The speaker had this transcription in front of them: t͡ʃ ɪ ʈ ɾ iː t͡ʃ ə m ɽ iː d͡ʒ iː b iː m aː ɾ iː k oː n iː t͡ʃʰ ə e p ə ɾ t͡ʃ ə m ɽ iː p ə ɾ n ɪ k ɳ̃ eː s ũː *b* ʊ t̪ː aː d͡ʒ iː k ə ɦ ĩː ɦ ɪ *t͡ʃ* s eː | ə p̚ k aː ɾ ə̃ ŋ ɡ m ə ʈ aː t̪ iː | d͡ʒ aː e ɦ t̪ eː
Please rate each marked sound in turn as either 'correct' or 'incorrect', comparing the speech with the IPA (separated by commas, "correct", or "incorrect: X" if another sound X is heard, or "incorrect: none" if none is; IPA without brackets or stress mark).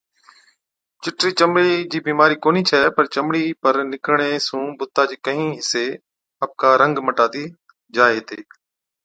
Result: correct, incorrect: none